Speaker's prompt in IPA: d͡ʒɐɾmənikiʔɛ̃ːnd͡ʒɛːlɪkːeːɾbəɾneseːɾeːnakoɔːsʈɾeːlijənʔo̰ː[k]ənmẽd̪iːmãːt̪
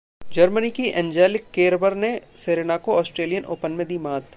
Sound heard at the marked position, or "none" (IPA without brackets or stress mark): p